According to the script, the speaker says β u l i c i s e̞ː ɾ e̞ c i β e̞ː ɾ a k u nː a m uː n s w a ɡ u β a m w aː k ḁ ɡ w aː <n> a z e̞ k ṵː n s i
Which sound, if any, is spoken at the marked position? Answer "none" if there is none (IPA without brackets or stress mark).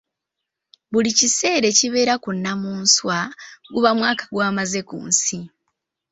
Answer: m